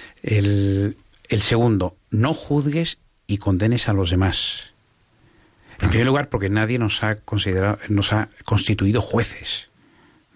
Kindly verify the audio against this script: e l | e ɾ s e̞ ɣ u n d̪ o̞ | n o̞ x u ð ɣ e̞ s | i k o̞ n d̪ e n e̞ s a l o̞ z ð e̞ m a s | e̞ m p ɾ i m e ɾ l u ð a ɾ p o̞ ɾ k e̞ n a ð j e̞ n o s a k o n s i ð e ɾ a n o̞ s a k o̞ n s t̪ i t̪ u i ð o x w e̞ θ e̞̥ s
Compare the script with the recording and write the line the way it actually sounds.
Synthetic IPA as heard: e l | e l s e̞ ɣ u n d̪ o̞ | n o̞ x u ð ɣ e̞ s | i k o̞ n d̪ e n e̞ s a l o̞ z ð e̞ m a s | e̞ m p ɾ i m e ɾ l u ɣ a ɾ p o̞ ɾ k e̞ n a ð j e̞ n o s a k o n s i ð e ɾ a n o̞ s a k o̞ n s t̪ i t̪ u i ð o x w e̞ θ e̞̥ s